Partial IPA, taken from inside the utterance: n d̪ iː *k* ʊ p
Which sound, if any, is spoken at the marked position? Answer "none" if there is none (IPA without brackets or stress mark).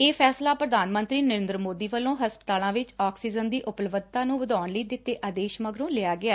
ʔ